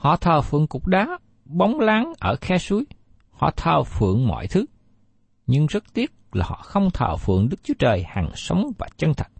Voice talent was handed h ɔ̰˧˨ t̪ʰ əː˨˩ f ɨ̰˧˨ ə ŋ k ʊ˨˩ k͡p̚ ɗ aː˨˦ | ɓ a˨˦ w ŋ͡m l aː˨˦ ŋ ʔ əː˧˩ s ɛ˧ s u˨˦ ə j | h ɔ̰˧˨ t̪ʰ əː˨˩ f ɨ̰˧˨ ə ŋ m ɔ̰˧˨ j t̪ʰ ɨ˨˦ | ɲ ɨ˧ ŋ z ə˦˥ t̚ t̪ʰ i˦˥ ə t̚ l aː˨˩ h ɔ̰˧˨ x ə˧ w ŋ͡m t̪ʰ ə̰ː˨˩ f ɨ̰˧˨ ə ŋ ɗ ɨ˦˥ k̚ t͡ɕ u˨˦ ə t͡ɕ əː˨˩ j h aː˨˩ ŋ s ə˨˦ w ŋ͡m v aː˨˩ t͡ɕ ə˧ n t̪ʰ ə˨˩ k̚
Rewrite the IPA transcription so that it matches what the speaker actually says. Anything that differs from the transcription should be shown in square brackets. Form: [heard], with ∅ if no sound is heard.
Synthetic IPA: h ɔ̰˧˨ t̪ʰ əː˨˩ f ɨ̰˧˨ ə ŋ k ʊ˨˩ k͡p̚ ɗ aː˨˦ | ɓ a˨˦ w ŋ͡m l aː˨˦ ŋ ʔ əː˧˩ [x] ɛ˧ s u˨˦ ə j | h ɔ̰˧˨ t̪ʰ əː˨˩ f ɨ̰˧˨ ə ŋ m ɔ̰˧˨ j t̪ʰ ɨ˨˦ | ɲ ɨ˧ ŋ z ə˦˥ t̚ [t̪] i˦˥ ə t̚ l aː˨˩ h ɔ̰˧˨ x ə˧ w ŋ͡m t̪ʰ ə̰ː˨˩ f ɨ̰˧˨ ə ŋ ɗ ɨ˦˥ k̚ t͡ɕ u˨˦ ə t͡ɕ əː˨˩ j h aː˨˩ ŋ s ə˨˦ w ŋ͡m v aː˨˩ t͡ɕ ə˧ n t̪ʰ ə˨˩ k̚